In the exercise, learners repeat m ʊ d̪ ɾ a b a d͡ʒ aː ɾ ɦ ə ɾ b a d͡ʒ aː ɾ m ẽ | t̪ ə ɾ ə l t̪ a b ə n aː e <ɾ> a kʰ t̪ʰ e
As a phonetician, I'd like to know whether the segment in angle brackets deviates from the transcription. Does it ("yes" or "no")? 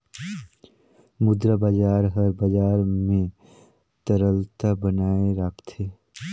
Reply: no